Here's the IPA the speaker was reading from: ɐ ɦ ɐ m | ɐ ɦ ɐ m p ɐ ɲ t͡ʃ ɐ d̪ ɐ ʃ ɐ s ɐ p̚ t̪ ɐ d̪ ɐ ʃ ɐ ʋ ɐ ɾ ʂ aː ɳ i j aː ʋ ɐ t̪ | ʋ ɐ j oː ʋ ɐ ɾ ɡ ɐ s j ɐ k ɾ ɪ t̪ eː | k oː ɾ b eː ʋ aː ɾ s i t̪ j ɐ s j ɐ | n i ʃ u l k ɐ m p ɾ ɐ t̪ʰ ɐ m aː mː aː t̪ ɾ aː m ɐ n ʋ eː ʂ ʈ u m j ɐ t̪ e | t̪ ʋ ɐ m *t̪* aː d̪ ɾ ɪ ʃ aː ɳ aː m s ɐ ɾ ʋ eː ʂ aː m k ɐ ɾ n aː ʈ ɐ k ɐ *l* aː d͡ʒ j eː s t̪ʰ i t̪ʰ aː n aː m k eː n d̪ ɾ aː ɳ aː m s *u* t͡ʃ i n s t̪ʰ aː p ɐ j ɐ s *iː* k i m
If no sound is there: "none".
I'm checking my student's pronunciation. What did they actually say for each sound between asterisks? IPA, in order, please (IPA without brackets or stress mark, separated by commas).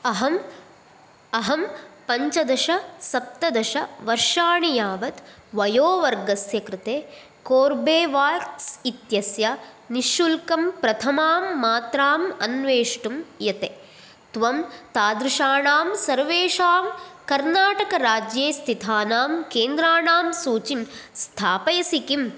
t̪, ɾ, uː, i